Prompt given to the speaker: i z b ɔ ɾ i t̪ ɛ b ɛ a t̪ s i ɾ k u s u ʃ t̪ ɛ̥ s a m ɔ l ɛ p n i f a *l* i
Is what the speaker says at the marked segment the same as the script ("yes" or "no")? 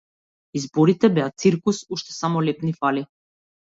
yes